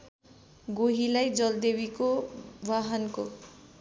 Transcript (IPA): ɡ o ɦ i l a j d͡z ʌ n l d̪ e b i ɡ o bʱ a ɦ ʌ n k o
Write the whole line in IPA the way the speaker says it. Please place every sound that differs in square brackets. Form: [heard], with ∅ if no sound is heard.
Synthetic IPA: ɡ o ɦ i l a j d͡z ʌ [∅] l d̪ e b i [k] o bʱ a ɦ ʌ n k o